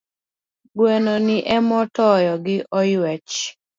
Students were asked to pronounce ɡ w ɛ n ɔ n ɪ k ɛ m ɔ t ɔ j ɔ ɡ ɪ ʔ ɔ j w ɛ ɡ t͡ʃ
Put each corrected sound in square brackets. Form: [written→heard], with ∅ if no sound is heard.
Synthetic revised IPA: ɡ w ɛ n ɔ n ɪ [k→ʔ] ɛ m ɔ t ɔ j ɔ ɡ ɪ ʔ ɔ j w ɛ [ɡ→∅] t͡ʃ